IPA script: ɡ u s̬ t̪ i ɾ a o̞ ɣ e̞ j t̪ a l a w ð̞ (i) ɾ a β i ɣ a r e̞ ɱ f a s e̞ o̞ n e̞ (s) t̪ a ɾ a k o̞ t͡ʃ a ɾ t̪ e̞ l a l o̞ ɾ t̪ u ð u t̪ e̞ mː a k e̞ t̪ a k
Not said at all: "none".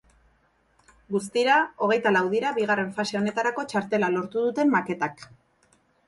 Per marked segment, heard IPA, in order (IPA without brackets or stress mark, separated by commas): i, none